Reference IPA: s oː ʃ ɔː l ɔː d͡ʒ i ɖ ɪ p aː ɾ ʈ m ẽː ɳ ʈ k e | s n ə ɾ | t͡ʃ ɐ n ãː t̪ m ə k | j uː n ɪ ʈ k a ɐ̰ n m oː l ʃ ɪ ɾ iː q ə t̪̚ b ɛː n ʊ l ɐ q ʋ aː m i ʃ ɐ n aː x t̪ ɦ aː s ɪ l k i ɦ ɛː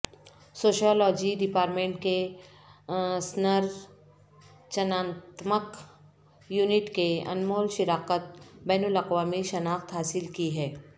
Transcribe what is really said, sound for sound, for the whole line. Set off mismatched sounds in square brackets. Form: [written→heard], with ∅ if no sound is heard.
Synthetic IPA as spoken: s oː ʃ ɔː l ɔː d͡ʒ i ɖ ɪ p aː ɾ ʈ m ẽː ɳ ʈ k e | s n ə ɾ | t͡ʃ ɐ n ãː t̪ m ə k | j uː n ɪ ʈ k [a→e] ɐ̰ n m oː l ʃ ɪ ɾ [iː→aː] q ə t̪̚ b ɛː n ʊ l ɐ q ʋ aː m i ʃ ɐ n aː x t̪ ɦ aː s ɪ l k i ɦ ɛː